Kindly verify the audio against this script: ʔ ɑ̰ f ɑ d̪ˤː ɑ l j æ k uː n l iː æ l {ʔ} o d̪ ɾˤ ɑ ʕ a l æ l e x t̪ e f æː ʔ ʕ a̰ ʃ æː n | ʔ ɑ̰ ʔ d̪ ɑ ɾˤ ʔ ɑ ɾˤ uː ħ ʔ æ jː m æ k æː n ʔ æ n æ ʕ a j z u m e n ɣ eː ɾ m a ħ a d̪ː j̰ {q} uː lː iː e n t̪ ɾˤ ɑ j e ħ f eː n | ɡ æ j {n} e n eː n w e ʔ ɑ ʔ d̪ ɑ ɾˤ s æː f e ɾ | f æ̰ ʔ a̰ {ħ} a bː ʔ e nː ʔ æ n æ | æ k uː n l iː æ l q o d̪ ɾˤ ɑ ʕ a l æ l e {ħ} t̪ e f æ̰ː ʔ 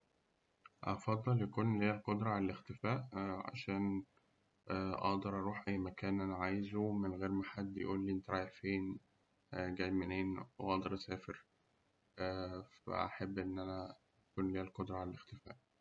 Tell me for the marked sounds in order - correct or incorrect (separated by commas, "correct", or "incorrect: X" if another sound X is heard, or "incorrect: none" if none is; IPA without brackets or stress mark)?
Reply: incorrect: q, incorrect: ʔ, incorrect: m, correct, incorrect: x